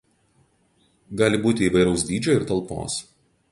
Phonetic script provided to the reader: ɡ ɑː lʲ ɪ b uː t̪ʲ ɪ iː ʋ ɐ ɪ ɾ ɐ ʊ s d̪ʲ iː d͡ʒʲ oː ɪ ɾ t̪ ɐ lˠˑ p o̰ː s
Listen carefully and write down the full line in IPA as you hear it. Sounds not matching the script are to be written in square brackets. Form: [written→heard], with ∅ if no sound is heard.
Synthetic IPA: ɡ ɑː lʲ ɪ b uː t̪ʲ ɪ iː ʋ ɐ ɪ ɾ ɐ ʊ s d̪ʲ iː d͡ʒʲ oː ɪ ɾ t̪ ɐ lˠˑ p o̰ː s